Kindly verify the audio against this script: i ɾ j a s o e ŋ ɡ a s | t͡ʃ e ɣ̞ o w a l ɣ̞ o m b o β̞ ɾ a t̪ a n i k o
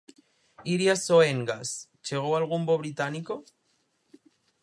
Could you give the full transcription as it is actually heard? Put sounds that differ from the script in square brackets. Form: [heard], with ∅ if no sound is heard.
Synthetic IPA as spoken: i ɾ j a s o e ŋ ɡ a s | t͡ʃ e ɣ̞ o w a l ɣ̞ [u] m b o β̞ ɾ [i] t̪ a n i k o